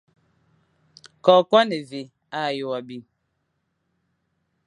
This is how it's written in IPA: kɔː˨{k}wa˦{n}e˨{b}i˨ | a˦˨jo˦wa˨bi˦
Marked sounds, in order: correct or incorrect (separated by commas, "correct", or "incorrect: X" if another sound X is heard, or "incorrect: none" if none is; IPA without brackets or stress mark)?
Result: correct, correct, incorrect: v